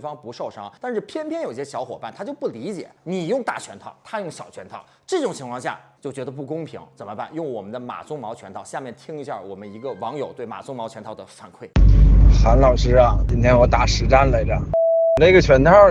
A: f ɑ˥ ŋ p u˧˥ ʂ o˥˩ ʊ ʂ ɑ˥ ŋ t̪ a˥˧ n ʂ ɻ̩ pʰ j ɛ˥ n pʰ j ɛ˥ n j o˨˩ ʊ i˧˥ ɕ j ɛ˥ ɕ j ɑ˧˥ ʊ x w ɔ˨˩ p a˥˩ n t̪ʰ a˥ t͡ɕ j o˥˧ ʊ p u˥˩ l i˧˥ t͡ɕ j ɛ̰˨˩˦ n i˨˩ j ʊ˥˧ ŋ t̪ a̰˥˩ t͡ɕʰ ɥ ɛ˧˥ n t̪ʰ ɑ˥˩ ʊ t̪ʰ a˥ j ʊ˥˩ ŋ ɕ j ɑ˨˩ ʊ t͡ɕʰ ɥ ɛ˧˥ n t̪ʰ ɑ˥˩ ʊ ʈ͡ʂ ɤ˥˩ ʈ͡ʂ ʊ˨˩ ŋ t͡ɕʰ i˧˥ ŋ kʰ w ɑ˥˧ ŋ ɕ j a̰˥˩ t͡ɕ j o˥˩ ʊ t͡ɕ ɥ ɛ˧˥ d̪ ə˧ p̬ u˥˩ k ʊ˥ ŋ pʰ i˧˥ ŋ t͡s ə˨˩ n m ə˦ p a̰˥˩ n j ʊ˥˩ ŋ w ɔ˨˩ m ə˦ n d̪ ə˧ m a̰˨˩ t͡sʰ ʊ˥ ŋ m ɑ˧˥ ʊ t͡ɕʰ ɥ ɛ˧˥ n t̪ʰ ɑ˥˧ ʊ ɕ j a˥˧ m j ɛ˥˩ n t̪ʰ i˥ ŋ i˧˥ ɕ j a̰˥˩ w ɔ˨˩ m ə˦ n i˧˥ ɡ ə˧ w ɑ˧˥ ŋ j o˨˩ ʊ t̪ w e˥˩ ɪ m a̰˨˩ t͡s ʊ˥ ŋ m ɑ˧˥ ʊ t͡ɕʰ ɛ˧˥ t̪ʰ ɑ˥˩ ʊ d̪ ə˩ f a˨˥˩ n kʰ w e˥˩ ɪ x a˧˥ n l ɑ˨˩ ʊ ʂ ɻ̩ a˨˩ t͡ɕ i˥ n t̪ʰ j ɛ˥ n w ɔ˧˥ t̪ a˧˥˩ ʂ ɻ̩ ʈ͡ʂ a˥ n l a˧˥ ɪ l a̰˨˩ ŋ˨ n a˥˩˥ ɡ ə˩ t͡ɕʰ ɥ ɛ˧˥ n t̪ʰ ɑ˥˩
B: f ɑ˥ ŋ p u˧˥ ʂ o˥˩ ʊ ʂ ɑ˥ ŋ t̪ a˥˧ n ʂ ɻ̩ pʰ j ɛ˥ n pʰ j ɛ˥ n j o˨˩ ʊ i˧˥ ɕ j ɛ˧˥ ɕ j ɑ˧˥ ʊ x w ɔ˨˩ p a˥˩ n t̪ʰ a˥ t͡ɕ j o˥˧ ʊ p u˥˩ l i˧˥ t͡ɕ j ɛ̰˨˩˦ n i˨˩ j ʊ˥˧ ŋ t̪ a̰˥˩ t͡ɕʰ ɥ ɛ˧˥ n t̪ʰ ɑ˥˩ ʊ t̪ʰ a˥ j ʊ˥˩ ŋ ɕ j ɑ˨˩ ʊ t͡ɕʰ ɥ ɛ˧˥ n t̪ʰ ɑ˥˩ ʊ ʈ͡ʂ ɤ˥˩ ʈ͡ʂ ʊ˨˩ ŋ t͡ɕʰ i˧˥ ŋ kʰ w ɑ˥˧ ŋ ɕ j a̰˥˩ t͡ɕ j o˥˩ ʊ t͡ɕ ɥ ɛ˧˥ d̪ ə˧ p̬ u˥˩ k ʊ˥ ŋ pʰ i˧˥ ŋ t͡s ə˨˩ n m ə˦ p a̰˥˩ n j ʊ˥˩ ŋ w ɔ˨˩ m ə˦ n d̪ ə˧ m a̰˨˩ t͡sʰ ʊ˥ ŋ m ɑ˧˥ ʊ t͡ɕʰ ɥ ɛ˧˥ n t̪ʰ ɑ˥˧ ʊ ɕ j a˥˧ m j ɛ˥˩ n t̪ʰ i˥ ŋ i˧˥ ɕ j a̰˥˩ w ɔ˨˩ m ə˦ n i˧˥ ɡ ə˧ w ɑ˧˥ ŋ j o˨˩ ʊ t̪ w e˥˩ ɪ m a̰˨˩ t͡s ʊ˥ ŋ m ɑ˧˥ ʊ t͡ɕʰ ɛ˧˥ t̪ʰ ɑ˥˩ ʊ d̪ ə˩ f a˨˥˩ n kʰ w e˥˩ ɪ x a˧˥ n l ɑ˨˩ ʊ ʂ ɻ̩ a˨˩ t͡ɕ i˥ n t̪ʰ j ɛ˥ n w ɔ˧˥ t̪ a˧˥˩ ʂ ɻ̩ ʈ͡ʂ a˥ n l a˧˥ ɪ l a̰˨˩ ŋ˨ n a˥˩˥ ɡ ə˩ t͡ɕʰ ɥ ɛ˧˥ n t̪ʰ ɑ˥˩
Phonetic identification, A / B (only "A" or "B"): A